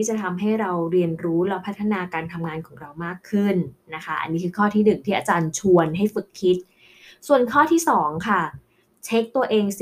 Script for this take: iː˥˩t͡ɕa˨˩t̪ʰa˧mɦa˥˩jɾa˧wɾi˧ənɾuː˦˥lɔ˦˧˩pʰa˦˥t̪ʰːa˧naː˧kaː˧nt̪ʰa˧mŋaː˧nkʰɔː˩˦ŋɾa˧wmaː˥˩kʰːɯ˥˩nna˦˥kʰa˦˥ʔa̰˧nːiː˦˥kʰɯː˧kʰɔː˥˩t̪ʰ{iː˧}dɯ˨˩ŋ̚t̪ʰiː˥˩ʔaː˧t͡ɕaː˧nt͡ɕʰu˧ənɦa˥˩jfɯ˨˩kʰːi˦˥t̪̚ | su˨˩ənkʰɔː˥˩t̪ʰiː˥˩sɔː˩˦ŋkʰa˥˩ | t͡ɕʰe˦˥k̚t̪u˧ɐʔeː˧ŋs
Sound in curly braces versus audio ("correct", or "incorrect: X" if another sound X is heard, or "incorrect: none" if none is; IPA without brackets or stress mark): incorrect: iː˥˩